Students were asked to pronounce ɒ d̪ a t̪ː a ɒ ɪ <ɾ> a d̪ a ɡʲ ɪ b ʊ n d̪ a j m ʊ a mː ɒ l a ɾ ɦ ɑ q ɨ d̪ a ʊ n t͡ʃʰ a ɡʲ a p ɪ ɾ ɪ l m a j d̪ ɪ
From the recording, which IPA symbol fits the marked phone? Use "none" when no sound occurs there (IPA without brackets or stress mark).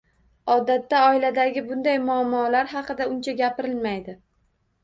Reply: l